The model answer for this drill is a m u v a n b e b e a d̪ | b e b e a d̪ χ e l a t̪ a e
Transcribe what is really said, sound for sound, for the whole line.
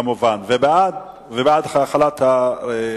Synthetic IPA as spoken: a m u v a n v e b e a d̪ | v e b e a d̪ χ a l a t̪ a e